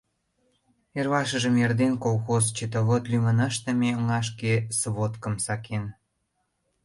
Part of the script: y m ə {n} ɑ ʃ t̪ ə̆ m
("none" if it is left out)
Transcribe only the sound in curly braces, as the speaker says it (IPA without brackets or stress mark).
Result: n